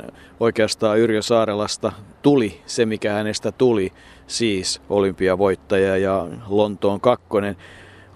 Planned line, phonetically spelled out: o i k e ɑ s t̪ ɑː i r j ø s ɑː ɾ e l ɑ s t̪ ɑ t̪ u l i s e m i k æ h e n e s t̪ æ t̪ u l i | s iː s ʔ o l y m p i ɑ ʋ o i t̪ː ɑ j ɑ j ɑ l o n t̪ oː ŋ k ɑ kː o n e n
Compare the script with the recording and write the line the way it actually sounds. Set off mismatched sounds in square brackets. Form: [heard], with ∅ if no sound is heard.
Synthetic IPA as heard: o i k e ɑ s t̪ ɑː [y] r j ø s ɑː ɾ e l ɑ s t̪ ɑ t̪ u l i s e m i k æ h [æ] n e s t̪ æ t̪ u l i | s iː s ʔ o l y m p i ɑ ʋ o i t̪ː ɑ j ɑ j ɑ l o n t̪ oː ŋ k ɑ kː o n e n